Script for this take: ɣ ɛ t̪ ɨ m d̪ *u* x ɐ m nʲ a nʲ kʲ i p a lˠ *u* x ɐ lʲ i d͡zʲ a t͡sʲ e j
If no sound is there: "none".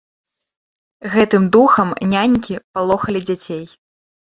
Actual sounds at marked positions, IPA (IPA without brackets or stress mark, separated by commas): u, ɔ